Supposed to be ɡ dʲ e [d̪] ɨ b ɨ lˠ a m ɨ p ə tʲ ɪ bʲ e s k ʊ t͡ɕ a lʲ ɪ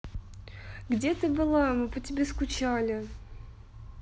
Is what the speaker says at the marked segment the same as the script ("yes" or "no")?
no